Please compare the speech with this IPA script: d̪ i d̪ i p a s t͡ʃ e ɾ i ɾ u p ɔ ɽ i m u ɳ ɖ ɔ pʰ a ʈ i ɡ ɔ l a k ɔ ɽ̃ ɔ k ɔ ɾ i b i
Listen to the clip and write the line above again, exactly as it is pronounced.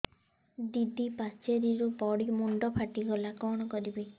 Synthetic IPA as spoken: d̪ i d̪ i p a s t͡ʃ e ɾ i ɾ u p ɔ ɽ i m u ɳ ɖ ɔ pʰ a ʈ i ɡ ɔ l a k ɔ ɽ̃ ɔ k ɔ ɾ i b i